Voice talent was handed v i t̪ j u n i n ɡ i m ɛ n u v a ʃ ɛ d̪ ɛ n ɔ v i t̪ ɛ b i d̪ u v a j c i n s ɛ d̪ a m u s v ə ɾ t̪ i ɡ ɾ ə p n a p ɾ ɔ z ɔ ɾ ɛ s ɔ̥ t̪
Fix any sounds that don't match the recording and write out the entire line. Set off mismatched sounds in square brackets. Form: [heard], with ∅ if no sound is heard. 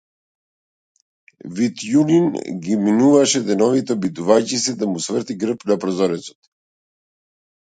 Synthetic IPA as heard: v i t̪ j u n i n ɡ i m [i] n u v a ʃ ɛ d̪ ɛ n ɔ v i t̪ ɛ b i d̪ u v a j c i [∅] s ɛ d̪ a m u s v ə ɾ t̪ i ɡ ɾ ə p n a p ɾ ɔ z ɔ ɾ ɛ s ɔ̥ t̪